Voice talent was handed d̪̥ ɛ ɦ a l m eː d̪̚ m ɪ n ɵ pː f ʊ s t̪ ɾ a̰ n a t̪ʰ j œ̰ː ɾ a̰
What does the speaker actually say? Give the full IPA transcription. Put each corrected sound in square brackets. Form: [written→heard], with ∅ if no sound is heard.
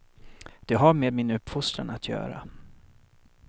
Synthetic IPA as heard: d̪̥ ɛ ɦ a [l→ɾ] m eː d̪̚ m ɪ n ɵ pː f ʊ s t̪ ɾ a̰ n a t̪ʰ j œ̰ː ɾ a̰